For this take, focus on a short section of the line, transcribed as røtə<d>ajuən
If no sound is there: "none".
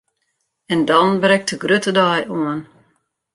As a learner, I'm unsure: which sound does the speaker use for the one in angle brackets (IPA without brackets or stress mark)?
d